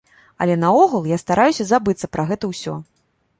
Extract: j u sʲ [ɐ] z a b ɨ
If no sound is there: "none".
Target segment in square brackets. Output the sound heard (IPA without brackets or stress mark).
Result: ɐ